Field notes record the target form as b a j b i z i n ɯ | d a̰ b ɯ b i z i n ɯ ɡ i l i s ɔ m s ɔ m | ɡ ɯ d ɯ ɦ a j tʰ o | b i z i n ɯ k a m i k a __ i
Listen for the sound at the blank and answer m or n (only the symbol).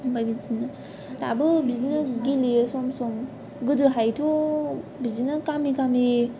m